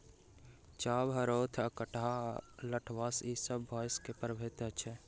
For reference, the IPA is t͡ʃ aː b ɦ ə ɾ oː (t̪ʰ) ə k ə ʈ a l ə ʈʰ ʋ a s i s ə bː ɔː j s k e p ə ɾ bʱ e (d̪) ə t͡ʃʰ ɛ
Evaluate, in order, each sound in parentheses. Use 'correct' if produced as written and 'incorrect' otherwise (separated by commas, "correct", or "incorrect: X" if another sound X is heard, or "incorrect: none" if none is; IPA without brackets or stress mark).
correct, incorrect: t̪